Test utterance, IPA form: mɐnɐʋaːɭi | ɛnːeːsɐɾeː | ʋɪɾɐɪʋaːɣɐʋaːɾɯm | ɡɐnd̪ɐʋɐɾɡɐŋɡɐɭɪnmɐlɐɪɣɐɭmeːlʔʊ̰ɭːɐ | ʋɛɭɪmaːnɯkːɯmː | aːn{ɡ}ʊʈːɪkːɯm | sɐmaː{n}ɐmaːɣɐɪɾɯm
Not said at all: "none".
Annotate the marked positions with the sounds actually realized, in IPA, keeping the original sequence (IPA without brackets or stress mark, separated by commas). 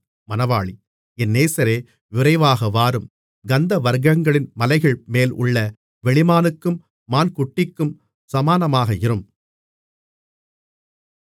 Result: k, n